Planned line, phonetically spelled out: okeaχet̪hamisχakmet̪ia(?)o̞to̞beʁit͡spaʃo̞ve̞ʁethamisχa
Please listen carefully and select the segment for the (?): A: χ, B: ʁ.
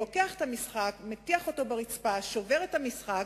A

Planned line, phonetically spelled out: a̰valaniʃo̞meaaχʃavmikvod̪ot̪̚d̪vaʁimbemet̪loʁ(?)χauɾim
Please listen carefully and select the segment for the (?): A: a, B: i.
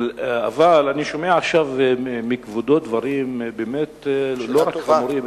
A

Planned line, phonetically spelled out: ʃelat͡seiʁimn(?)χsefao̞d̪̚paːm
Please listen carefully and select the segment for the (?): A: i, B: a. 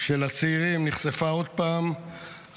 A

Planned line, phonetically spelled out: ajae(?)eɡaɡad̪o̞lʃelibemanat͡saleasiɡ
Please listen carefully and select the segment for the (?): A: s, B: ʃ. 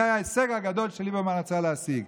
A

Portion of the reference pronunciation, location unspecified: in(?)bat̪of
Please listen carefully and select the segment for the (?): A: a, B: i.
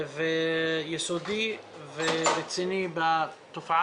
B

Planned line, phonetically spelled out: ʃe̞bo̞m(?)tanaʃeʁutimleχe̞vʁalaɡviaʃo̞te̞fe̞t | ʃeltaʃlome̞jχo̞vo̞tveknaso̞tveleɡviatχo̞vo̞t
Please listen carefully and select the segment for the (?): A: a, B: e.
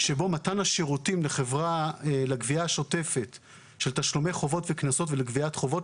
A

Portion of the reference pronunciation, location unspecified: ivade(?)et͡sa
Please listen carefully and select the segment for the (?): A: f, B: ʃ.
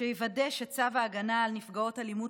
B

